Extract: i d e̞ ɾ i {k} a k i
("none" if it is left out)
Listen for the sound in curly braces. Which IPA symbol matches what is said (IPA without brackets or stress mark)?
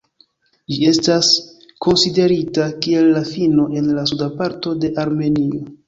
t